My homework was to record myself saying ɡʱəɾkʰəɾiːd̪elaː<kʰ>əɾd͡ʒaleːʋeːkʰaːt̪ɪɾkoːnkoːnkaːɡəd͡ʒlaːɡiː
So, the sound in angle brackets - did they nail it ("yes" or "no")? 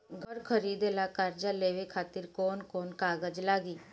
no